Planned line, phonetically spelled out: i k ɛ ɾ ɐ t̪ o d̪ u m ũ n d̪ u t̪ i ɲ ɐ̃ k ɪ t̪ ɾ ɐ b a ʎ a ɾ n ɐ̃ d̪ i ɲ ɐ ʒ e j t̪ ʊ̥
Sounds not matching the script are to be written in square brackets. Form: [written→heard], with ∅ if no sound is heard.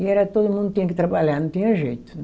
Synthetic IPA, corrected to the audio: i [k→∅] ɛ ɾ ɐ t̪ o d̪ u m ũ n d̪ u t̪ i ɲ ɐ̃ k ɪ t̪ ɾ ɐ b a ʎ a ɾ n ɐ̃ [d̪→t̪] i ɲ ɐ ʒ e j t̪ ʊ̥